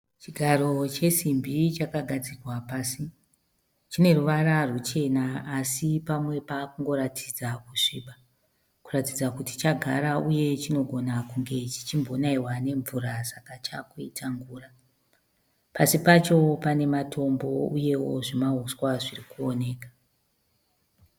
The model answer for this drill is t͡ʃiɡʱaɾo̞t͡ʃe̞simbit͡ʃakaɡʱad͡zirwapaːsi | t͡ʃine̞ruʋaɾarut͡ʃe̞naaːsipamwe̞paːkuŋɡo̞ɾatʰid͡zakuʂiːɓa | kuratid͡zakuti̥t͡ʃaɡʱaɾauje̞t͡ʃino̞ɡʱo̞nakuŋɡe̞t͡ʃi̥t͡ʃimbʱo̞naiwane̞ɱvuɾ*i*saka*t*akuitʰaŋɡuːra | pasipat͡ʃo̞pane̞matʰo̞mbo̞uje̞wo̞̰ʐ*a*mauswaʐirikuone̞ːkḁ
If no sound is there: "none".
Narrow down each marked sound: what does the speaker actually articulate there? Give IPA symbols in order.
a, t͡ʃ, i

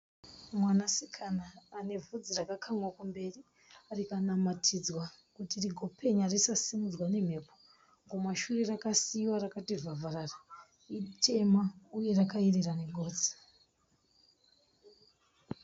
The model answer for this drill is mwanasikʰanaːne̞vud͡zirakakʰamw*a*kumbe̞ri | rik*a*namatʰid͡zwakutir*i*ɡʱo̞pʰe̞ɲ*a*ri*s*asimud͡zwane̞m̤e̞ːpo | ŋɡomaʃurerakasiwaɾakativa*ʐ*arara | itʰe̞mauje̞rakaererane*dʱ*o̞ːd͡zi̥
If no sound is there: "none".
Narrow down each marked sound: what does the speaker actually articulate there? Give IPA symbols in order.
a, a, i, a, s, v, ɡʱ

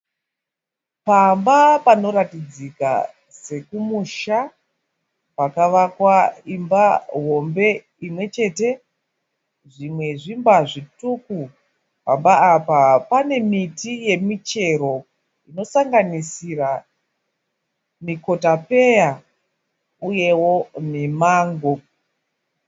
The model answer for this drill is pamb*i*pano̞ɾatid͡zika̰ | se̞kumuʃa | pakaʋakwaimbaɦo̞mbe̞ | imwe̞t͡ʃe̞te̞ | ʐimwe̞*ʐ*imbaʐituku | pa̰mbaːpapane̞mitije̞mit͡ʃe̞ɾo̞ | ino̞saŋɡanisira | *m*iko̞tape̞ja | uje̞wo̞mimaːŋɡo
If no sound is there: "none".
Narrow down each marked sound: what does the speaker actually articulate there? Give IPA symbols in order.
a, ʐ, m

